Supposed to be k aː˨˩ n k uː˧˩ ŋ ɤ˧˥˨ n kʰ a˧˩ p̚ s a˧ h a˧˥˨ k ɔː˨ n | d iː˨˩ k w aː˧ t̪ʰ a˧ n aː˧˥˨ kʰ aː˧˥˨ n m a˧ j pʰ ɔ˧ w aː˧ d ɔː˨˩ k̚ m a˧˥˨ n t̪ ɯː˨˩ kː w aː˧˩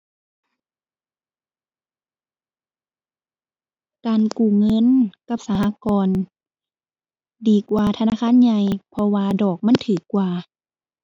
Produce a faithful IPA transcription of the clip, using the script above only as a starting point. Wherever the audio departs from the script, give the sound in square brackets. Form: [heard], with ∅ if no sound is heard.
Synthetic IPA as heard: k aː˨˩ n k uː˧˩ ŋ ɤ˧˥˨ n [k] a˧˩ p̚ s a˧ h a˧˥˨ k ɔː˨ n | d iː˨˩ k w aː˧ t̪ʰ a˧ n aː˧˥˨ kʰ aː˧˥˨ n [ɲ] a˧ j pʰ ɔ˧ w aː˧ d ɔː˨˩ k̚ m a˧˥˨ n [t̪ʰ] ɯː˨˩ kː w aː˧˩